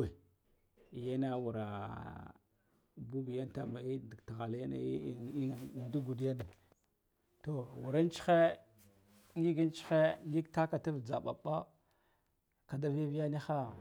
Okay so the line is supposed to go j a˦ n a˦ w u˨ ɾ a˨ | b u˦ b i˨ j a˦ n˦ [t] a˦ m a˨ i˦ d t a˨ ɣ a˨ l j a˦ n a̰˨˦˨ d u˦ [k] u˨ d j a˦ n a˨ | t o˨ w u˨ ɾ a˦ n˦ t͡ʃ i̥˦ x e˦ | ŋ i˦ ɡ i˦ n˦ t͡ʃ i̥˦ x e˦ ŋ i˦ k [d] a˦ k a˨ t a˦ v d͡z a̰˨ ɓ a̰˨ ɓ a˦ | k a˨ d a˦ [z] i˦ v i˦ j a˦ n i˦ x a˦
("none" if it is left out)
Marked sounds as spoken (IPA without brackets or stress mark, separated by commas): t, ɡ, t, v